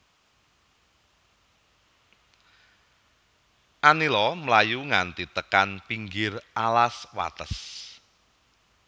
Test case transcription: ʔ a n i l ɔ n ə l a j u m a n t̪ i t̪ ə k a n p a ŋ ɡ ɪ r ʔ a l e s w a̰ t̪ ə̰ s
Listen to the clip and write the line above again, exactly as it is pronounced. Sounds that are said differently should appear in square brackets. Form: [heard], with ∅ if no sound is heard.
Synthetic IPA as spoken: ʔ a n i l ɔ [m] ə l a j u [ŋ] a n t̪ i t̪ ə k a n p [i] ŋ ɡ ɪ r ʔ a l [a] s w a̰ t̪ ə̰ s